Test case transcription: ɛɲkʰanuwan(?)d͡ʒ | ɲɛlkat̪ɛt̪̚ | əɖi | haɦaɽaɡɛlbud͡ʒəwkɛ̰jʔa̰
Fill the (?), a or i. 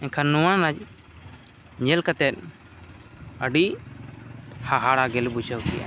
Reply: a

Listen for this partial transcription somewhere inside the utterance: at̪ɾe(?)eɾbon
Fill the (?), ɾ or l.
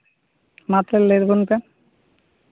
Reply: l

